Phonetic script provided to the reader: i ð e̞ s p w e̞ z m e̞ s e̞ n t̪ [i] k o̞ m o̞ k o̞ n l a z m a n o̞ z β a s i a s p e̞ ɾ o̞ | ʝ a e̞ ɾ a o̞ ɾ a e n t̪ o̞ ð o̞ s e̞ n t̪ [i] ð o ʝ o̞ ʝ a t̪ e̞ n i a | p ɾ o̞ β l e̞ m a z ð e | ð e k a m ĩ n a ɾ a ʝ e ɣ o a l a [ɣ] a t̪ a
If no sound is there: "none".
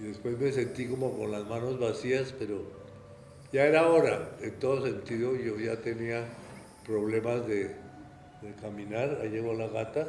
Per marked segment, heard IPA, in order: i, i, ɣ

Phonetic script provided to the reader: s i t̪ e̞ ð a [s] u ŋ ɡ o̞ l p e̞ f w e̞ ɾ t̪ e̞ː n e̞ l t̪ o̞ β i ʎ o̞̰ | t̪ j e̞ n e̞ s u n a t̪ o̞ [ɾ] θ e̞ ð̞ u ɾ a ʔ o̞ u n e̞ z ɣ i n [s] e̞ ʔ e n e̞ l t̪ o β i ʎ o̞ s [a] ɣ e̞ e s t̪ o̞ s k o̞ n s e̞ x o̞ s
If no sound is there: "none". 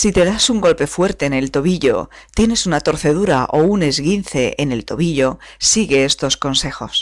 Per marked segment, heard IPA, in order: s, ɾ, θ, i

